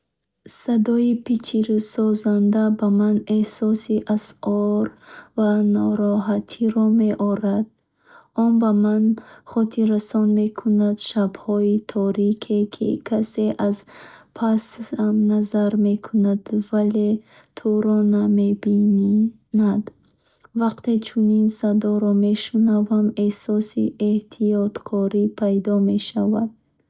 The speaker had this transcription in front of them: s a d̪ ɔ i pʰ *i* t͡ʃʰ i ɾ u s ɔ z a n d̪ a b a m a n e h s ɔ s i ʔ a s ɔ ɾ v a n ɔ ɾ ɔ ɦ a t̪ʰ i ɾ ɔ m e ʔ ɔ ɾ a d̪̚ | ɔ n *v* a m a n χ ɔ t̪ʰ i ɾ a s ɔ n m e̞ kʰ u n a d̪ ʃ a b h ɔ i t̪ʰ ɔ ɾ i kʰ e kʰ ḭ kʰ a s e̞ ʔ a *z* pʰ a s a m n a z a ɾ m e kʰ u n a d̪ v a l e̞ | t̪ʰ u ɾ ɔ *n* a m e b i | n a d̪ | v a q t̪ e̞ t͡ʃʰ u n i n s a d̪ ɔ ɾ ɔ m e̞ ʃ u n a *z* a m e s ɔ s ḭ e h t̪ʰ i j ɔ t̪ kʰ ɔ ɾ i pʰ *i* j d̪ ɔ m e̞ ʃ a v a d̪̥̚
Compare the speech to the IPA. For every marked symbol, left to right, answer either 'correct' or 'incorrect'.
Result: correct, incorrect, correct, correct, incorrect, incorrect

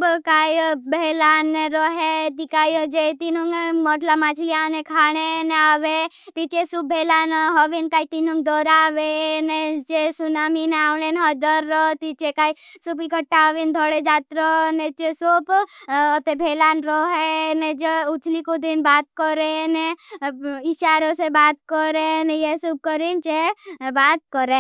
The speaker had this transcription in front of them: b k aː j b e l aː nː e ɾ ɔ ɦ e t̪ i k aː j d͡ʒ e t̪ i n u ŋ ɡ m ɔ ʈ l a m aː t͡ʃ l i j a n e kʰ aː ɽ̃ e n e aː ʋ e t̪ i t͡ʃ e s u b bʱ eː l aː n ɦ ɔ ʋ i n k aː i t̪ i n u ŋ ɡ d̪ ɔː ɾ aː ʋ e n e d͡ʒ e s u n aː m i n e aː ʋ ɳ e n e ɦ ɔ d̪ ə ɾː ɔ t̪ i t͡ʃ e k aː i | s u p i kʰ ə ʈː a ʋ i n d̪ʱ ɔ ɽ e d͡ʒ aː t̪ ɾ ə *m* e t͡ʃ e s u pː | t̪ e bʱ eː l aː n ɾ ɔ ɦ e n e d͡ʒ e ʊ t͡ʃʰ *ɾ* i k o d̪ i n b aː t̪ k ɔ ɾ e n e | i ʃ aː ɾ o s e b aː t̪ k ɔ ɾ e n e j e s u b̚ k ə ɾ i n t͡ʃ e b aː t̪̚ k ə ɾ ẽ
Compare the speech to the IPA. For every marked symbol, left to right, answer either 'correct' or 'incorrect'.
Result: incorrect, incorrect

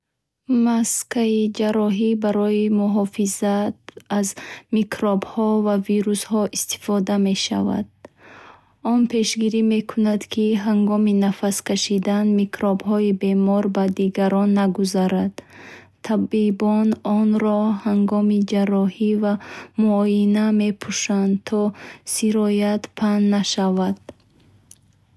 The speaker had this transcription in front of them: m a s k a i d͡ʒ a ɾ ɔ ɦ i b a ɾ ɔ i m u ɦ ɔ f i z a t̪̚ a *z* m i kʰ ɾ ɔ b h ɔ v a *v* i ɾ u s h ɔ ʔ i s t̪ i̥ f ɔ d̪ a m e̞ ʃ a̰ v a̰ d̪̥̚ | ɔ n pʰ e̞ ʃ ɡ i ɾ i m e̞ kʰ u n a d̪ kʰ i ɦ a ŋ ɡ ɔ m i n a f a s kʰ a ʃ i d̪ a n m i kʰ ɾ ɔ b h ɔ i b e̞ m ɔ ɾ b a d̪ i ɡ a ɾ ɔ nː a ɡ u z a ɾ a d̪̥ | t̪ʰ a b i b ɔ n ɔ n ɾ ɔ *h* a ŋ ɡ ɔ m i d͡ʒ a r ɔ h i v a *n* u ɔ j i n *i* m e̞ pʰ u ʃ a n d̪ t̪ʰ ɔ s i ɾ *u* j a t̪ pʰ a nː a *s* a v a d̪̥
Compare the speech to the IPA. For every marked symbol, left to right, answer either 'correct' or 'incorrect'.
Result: correct, correct, correct, incorrect, incorrect, incorrect, incorrect

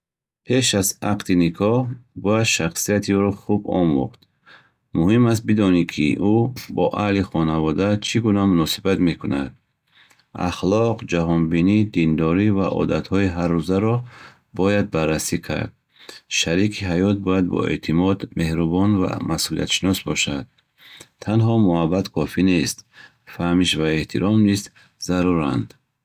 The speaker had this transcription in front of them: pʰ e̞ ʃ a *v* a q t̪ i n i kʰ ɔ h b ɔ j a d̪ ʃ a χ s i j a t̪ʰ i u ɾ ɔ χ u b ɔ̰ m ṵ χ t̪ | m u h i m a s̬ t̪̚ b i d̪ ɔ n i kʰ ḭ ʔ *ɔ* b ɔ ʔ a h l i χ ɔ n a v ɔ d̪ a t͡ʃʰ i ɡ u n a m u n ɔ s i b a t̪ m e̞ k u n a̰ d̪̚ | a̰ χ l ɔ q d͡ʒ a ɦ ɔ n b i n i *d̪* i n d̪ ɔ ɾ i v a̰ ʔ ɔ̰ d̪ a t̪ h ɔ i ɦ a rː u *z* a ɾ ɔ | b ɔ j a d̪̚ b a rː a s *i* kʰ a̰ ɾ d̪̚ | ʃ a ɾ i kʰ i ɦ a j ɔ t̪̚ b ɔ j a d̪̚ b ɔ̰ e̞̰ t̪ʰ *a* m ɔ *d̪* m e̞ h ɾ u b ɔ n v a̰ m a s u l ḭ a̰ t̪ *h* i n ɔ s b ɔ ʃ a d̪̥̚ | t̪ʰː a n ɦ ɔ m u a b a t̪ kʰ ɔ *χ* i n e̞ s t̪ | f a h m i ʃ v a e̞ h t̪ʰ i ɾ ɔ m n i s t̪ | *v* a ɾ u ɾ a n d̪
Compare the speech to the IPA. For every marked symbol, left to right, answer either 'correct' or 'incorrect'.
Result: incorrect, incorrect, correct, correct, correct, incorrect, correct, incorrect, incorrect, incorrect

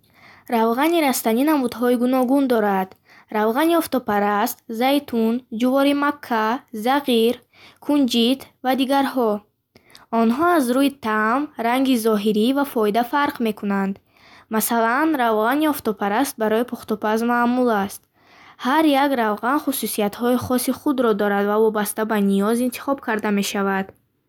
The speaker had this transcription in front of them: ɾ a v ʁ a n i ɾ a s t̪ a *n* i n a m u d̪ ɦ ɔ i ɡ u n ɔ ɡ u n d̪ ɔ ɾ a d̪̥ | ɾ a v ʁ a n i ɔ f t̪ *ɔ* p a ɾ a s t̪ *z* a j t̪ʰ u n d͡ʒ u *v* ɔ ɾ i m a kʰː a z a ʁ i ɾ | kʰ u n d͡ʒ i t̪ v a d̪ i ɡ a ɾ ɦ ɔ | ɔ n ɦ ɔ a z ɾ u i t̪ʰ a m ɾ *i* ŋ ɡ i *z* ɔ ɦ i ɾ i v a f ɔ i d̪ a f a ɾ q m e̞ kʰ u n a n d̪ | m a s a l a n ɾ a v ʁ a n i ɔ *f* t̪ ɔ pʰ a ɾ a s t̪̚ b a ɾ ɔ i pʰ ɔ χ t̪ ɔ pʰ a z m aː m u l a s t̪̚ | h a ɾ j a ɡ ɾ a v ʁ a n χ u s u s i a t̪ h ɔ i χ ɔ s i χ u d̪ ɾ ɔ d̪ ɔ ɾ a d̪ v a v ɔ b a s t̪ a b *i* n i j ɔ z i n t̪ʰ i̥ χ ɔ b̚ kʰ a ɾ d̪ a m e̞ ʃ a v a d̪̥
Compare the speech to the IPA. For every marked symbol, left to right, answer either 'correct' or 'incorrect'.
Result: correct, correct, correct, correct, incorrect, correct, correct, incorrect

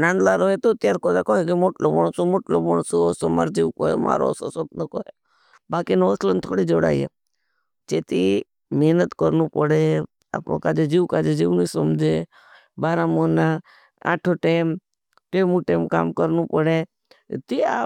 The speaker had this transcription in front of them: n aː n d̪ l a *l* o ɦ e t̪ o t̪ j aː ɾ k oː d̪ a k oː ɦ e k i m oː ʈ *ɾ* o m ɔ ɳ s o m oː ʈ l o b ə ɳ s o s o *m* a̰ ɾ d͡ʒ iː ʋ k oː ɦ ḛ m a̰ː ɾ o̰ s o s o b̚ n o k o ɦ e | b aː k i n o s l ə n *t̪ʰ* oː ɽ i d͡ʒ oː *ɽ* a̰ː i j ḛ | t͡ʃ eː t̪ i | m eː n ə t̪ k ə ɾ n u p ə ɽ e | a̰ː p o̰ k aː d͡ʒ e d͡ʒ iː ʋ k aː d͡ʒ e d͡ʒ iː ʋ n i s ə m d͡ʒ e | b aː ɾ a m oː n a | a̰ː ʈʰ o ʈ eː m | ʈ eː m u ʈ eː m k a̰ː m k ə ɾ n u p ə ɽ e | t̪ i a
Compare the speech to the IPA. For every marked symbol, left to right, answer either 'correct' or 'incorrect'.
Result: incorrect, incorrect, correct, correct, correct

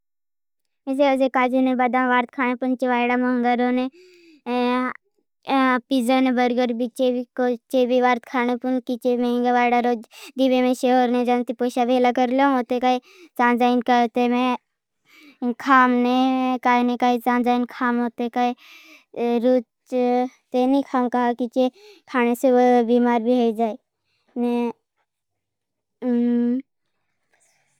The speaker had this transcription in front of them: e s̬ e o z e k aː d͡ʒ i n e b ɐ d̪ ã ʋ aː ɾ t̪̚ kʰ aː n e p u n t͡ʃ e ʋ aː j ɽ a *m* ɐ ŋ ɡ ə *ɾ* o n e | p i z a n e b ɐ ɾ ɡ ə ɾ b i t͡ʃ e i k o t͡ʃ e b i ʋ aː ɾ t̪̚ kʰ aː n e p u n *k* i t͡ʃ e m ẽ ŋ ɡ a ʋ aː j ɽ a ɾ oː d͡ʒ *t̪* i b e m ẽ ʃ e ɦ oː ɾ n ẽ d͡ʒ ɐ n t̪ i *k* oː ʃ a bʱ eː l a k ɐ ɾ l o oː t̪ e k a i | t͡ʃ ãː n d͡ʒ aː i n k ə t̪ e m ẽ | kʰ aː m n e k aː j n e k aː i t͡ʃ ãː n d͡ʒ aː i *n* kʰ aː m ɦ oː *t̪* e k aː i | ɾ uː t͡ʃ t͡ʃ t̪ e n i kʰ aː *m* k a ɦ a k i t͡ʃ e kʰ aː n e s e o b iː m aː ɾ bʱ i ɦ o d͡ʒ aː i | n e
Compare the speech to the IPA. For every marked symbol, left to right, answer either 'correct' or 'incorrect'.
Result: correct, correct, correct, incorrect, incorrect, correct, correct, correct

